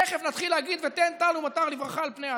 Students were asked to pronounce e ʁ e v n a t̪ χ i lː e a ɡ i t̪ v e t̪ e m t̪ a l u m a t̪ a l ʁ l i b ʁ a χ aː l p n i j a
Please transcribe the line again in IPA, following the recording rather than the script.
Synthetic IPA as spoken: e χ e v n a t̪ χ i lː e a ɡ i d̪ v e t̪ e n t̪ a l u m a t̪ a ʁ l i v ʁ a χ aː l p n e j a

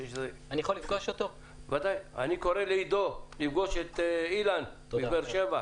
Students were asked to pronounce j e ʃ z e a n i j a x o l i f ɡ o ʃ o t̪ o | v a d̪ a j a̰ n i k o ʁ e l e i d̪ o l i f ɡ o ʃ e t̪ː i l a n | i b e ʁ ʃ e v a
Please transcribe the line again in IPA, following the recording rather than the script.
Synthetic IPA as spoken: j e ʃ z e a n i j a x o l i f ɡ o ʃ o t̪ o | v a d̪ a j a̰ n i k o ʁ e l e i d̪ o l i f ɡ o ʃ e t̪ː i l a n | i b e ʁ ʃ e v a

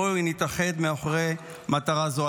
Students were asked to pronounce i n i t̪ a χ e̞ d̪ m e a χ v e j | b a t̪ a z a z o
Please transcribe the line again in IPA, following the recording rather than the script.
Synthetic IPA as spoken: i n i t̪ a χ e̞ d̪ m e a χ ʁ e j | m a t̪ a ʁ a z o

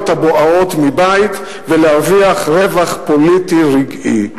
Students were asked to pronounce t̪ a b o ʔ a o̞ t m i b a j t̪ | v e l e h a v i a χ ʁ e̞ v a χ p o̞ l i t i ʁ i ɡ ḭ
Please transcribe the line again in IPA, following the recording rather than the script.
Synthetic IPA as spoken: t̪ a b o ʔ a o̞ t m i b a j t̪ | v e l e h a v i a χ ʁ e̞ v a χ p o̞ l i t i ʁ i ɡ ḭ

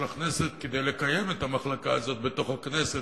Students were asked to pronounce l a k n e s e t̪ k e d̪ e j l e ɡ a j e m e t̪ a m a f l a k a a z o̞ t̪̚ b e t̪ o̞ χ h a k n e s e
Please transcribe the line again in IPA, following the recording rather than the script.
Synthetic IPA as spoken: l a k n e s e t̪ k e d̪ e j l e k a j e m e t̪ a m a χ l a k a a z o̞ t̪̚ b e t̪ o̞ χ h a k n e s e

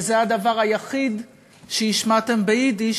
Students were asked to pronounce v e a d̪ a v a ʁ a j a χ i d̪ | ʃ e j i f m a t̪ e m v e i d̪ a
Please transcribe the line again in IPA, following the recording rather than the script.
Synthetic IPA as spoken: z e a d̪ a v a ʁ a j a χ i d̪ | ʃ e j i ʃ m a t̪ e m b e i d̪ i

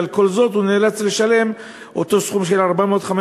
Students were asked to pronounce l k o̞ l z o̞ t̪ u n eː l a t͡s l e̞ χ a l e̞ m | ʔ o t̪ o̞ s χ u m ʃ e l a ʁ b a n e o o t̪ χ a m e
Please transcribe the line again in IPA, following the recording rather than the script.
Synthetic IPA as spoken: l k o̞ l z o̞ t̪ u n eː l a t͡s l e̞ ʃ a l e̞ m | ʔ o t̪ o̞ s χ u m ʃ e l a ʁ b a m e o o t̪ χ a m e

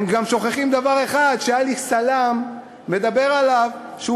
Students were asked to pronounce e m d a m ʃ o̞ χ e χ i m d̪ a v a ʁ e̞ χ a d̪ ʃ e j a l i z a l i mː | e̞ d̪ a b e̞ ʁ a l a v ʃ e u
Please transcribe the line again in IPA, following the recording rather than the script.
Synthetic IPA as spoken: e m ɡ a m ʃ o̞ χ e χ i m d̪ a v a ʁ e̞ χ a d̪ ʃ e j a l i s a l a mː | e̞ d̪ a b e̞ ʁ a l a v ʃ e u

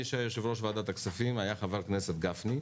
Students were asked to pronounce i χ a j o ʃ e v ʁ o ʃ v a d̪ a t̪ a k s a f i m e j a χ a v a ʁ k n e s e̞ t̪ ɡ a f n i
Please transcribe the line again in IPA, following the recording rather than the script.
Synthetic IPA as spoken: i ʃ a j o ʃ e v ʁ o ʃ v a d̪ a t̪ a k s a f i m a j a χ a v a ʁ k n e s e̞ t̪ ɡ a f n i

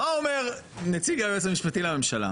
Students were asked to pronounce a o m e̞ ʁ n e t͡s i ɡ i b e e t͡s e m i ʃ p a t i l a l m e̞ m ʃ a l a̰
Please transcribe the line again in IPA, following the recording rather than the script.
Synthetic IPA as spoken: a o m e̞ ʁ n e t͡s i ɡ a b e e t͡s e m i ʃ p a t i l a m e̞ m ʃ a l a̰

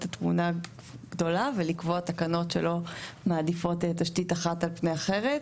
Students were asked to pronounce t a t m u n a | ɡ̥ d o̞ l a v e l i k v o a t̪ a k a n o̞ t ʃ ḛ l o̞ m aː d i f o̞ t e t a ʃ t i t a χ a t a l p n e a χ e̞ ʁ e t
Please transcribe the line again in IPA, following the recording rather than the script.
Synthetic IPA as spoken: t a t m u n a | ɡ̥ d o̞ l a v e l i k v o a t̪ a k a n o̞ t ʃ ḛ l o̞ m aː d i f o̞ t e t a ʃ t i t a χ a t a l p n e a χ e̞ ʁ e t

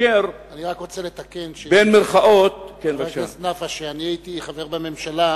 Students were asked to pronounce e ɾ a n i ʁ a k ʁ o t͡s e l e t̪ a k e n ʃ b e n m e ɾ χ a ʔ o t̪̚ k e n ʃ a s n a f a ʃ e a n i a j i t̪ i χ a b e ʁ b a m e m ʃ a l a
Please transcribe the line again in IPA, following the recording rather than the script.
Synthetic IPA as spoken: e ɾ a n i ʁ a k ʁ o t͡s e l e t̪ a k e n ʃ b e n m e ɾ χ a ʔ o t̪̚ k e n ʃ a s n a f a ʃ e a n i a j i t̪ i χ a v e ʁ b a m e m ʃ a l a

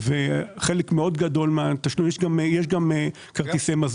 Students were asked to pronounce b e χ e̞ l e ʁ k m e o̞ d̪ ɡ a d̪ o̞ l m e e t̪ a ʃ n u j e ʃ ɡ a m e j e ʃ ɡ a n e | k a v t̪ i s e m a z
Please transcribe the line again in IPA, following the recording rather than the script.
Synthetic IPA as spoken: v e χ e̞ l e k m e o̞ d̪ ɡ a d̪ o̞ l m e a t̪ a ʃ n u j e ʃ ɡ a m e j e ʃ ɡ a m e | k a ʁ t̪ i s e m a z

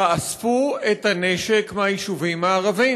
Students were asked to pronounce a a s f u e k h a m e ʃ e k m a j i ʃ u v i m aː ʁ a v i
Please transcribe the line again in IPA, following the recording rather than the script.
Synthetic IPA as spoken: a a s f u e t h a n e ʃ e k m a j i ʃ u v i m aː ʁ a v i

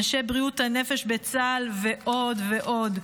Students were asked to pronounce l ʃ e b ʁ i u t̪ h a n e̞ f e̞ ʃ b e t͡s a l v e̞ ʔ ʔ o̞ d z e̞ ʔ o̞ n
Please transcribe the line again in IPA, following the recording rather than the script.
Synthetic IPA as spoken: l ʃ e b ʁ i u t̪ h a n e̞ f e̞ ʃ b e t͡s a l v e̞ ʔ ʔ o̞ d v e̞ ʔ o̞ d

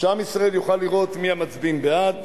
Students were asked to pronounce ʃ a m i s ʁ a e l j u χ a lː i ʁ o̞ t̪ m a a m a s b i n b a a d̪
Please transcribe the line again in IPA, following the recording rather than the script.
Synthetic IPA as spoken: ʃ a m i s ʁ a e l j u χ a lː i ʁ o̞ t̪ m i a m a t͡s b i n b e a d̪

